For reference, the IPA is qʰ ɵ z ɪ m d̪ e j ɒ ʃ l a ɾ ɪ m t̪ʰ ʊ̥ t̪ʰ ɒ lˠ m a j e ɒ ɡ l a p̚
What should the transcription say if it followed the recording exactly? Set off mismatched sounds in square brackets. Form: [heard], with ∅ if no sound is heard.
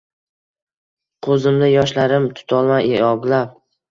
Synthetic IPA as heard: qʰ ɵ z ɪ m d̪ [a] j ɒ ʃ l a ɾ ɪ m t̪ʰ ʊ̥ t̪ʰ ɒ lˠ m a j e ɒ ɡ l a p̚